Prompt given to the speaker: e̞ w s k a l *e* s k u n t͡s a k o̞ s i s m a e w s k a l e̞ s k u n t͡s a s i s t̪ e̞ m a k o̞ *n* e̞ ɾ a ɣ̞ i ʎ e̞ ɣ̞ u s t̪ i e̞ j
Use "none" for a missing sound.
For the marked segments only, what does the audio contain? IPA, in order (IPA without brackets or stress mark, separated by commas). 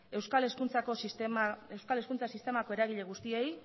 e, none